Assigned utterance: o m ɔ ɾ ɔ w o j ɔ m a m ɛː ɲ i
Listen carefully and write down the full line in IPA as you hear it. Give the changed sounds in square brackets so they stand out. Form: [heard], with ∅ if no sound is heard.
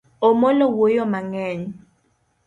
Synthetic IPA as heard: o m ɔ [l] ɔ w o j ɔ m a [ŋ] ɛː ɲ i